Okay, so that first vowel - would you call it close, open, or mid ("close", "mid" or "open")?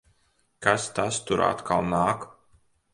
open